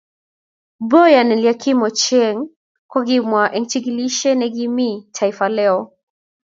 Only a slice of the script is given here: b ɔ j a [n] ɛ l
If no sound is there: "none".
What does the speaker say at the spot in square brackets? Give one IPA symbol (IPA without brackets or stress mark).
n